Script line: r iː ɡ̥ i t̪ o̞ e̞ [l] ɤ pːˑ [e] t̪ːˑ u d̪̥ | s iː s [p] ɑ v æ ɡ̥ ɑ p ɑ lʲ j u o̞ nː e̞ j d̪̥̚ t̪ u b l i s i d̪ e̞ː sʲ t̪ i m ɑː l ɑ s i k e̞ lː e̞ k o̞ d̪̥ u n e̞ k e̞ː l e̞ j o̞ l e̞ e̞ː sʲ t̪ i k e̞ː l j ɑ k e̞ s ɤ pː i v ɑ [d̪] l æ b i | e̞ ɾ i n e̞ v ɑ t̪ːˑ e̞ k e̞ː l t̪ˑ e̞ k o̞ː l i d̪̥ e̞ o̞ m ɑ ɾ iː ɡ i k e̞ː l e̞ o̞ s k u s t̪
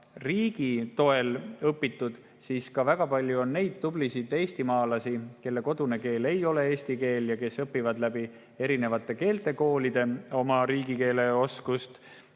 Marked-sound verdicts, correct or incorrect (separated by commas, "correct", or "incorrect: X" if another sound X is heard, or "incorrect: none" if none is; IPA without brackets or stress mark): correct, incorrect: i, incorrect: k, correct